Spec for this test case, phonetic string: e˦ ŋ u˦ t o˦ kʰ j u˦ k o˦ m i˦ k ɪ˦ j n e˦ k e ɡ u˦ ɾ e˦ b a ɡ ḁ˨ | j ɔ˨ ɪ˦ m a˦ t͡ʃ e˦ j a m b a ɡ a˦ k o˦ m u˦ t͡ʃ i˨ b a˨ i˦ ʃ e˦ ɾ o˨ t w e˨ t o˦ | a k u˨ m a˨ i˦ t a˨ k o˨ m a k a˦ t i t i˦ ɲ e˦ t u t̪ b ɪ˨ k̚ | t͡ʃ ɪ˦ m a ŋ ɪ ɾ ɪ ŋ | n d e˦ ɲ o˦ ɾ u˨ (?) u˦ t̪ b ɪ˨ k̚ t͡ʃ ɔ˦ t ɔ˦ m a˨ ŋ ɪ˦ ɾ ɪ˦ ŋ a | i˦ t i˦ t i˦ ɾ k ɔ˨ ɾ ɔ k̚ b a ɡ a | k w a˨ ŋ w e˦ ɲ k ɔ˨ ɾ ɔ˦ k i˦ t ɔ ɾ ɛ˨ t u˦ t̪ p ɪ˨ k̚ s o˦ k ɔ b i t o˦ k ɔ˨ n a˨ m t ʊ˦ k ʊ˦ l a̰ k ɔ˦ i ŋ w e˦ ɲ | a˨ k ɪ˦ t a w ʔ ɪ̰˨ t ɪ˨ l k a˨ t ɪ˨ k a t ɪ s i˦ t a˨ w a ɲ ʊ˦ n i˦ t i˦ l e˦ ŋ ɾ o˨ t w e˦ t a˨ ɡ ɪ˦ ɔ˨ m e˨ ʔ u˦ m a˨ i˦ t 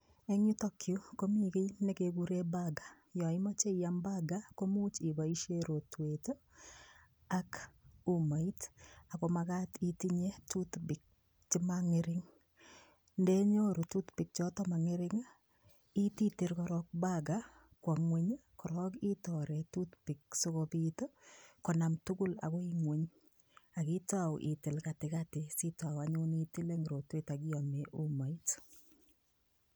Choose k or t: t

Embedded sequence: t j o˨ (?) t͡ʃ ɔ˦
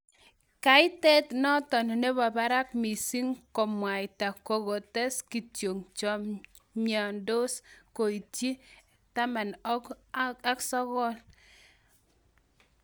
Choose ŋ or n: ŋ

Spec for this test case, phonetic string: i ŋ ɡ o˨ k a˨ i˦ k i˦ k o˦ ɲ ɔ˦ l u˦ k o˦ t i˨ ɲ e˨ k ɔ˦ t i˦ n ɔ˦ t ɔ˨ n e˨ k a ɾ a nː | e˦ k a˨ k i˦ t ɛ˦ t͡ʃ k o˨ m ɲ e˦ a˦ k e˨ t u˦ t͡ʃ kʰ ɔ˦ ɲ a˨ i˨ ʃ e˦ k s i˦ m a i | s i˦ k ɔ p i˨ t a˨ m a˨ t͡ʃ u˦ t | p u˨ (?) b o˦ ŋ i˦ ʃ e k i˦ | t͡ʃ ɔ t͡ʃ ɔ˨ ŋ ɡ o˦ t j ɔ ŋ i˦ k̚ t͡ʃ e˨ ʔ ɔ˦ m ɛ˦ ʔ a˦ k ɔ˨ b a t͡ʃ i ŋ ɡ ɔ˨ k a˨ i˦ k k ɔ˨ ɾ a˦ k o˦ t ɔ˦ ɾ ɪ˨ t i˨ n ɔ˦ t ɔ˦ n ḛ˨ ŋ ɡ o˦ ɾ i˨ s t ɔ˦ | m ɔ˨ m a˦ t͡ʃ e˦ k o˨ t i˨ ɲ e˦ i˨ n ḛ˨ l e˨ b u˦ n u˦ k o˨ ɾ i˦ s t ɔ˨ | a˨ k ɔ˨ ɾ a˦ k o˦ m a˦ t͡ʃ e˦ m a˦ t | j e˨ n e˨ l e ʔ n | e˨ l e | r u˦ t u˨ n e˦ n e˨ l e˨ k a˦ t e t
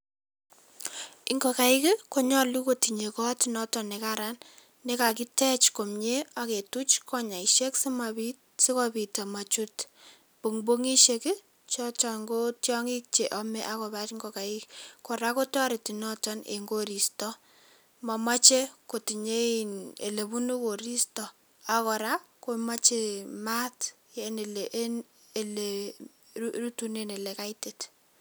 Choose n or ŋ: ŋ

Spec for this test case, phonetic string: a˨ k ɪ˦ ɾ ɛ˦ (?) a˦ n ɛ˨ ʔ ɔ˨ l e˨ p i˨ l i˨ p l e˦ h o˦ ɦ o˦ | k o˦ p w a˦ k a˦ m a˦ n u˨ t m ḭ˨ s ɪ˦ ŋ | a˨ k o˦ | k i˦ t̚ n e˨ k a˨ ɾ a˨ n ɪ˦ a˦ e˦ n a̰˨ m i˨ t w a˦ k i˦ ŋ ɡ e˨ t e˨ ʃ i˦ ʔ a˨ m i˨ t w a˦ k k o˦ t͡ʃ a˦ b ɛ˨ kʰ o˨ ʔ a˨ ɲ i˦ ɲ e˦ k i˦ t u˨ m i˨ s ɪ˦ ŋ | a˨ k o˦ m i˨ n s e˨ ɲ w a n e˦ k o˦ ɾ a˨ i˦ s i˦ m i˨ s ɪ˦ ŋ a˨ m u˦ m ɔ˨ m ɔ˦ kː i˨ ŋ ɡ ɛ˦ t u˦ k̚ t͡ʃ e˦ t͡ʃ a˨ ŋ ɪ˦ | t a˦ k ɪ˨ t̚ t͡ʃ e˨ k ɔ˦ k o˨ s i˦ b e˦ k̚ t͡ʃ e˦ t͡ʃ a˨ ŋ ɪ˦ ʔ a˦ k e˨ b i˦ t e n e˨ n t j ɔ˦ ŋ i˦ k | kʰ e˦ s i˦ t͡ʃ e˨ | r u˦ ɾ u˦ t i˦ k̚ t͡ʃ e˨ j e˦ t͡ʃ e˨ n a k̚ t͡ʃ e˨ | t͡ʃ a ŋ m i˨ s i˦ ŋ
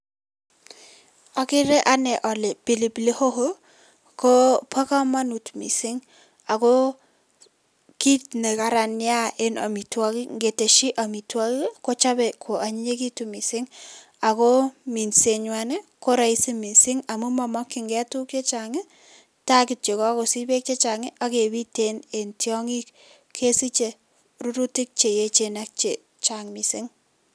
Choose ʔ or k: ʔ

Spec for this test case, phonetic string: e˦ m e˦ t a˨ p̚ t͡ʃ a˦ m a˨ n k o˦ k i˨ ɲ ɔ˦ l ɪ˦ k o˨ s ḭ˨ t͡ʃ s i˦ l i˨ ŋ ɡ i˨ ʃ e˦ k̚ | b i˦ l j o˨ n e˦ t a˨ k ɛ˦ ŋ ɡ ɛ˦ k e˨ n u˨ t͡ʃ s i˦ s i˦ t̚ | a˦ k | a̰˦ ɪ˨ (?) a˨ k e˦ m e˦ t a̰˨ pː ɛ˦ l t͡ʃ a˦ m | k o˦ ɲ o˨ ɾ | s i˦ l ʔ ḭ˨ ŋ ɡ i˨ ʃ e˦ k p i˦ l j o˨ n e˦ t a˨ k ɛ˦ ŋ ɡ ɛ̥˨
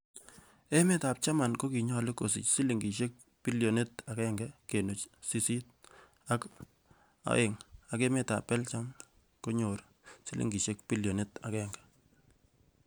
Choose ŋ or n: ŋ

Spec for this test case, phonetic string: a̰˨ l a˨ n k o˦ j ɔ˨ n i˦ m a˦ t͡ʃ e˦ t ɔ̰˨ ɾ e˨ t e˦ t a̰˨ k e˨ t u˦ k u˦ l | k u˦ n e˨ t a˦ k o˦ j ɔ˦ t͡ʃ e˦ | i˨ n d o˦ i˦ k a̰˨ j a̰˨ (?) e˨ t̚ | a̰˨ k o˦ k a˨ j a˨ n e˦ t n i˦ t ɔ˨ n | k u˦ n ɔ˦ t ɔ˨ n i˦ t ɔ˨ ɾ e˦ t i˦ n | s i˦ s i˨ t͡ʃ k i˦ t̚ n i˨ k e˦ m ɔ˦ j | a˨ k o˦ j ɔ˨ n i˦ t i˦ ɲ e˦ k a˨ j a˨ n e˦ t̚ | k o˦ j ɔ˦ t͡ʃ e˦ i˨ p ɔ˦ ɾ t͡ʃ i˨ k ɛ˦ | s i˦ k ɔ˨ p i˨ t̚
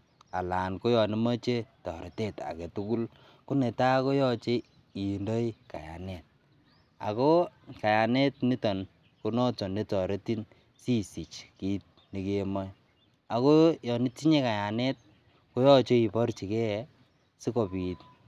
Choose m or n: n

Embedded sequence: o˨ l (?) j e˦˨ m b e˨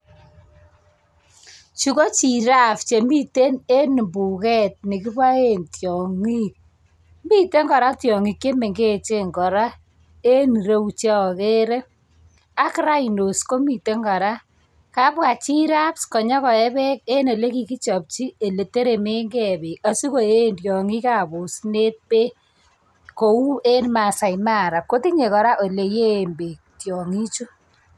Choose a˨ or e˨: e˨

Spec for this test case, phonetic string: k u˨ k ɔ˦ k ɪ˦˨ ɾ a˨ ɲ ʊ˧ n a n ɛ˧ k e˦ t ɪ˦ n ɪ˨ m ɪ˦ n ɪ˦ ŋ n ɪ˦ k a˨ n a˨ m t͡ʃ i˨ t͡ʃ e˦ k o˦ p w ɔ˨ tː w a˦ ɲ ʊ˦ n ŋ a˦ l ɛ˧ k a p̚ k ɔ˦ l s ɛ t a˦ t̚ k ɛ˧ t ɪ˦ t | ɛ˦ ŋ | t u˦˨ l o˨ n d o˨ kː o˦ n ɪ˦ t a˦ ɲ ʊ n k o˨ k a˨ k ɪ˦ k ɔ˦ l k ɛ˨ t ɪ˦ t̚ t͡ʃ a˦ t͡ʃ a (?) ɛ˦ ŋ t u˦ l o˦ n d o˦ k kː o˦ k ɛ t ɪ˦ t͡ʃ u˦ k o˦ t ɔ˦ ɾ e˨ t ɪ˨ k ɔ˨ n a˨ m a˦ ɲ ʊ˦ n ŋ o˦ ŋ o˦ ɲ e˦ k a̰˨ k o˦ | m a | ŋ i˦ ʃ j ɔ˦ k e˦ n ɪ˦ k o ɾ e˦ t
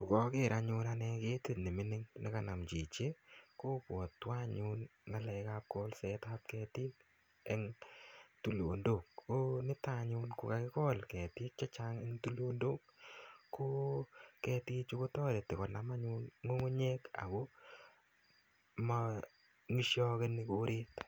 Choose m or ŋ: ŋ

